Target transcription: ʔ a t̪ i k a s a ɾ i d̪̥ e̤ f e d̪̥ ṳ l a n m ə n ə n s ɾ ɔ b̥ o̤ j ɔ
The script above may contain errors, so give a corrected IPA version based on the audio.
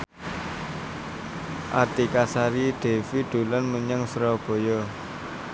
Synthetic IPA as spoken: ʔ a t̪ i k a s a ɾ i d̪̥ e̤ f i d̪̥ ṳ l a n m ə ɲ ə ŋ s ɾ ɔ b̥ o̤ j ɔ